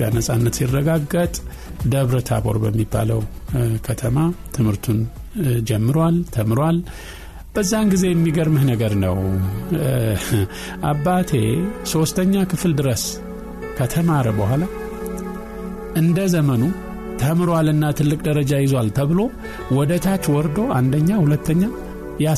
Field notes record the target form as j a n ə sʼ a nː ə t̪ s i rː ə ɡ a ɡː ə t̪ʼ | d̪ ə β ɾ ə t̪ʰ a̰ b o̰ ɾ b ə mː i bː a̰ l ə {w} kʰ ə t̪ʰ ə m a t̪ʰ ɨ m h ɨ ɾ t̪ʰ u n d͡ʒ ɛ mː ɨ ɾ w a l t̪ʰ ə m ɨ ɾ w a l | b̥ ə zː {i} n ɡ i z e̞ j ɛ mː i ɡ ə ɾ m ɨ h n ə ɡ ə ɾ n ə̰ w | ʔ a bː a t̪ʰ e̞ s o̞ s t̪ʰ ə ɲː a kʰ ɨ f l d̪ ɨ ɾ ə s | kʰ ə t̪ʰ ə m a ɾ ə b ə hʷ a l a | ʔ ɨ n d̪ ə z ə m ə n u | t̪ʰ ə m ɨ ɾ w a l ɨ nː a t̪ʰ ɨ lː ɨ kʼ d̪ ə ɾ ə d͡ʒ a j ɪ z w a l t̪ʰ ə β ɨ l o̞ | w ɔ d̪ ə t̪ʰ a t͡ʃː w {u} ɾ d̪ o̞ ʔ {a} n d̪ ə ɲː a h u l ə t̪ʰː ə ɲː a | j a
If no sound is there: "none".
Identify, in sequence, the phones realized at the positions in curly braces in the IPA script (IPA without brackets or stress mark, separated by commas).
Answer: w, a, ɔ, a